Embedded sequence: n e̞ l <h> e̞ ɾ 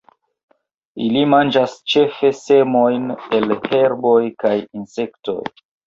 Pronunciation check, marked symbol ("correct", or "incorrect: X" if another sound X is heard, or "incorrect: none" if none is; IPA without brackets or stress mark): correct